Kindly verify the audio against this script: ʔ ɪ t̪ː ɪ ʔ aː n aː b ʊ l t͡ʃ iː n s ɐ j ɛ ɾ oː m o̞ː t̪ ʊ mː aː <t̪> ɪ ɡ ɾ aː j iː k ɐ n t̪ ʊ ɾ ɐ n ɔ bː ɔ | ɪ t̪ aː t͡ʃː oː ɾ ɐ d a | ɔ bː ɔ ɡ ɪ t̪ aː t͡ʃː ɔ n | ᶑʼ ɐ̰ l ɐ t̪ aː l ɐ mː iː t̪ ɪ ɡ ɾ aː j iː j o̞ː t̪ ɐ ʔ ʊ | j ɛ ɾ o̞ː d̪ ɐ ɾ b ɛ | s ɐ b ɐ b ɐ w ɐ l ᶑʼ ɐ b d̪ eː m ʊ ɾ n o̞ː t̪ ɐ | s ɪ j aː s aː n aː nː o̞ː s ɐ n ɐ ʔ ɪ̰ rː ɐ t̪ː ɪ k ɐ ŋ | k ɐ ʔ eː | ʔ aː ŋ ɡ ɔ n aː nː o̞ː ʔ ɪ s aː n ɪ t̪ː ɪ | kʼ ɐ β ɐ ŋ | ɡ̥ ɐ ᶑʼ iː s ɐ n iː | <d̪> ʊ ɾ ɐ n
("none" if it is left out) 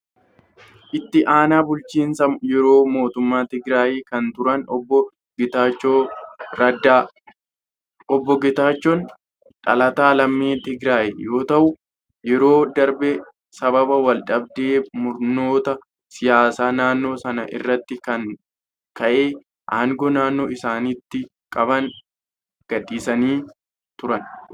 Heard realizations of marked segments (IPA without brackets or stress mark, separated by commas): t̪, t̪